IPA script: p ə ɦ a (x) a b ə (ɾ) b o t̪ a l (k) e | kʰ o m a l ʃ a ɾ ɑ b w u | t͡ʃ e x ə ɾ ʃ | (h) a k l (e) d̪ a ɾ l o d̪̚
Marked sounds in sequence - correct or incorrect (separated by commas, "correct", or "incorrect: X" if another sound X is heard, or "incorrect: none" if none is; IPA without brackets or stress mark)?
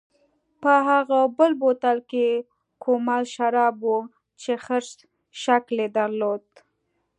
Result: incorrect: ɣ, incorrect: l, correct, incorrect: ʃ, correct